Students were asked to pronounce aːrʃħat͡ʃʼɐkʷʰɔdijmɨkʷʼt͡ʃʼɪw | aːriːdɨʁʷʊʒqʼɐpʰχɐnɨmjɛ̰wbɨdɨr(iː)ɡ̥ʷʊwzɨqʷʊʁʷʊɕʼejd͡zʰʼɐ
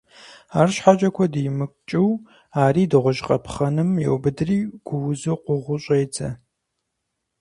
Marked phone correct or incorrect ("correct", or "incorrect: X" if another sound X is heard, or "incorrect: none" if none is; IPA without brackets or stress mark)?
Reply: correct